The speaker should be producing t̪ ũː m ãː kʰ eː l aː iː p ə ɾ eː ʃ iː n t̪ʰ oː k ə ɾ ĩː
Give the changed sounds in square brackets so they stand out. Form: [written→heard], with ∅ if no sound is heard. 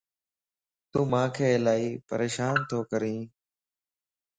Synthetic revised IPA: t̪ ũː m ãː kʰ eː l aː iː p ə ɾ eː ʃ [iː→aː] n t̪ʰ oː k ə ɾ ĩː